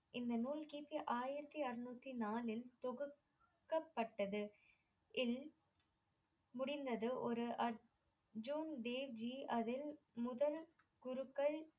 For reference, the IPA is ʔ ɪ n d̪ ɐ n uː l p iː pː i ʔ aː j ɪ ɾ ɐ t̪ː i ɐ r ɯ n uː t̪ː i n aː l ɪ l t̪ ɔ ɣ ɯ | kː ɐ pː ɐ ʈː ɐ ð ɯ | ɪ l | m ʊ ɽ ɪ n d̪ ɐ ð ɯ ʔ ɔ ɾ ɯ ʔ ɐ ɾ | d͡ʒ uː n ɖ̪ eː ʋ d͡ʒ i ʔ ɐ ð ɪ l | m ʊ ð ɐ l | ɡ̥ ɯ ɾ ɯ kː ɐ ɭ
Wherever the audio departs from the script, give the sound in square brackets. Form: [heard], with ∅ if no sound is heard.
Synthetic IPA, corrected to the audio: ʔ ɪ n d̪ ɐ n uː l [k] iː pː i ʔ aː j ɪ ɾ ɐ t̪ː i ɐ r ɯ n uː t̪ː i n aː l ɪ l t̪ ɔ ɣ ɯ | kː ɐ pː ɐ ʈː ɐ ð ɯ | ɪ l | m ʊ ɽ ɪ n d̪ ɐ ð ɯ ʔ ɔ ɾ ɯ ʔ ɐ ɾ | d͡ʒ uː n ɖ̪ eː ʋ d͡ʒ i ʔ ɐ ð ɪ l | m ʊ ð ɐ l | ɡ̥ [ʊ] ɾ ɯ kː ɐ ɭ